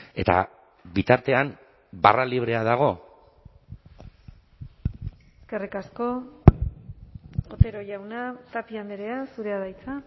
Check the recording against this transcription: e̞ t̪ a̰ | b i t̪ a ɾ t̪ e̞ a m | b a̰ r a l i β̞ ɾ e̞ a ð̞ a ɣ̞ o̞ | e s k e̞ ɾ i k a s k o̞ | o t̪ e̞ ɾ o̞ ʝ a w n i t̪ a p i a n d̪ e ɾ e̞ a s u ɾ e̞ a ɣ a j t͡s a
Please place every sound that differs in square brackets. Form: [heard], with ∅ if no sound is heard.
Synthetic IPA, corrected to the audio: e̞ t̪ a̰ | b i t̪ a ɾ t̪ e̞ a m | b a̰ r a l i β̞ ɾ e̞ a ð̞ a ɣ̞ o̞ | e s k e̞ [r] i k a s k o̞ | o t̪ e̞ ɾ o̞ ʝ a w n [a] t̪ a p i a n d̪ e ɾ e̞ a s u ɾ e̞ a [ð] a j t͡s a